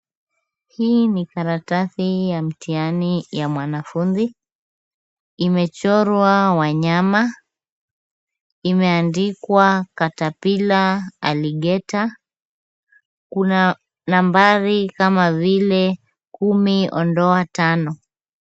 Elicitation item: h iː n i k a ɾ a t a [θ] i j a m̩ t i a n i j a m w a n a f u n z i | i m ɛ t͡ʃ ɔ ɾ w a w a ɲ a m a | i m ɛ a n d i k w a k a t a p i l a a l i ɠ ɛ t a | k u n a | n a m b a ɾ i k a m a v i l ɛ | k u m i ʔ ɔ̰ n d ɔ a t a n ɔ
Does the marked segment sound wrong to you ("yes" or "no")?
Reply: no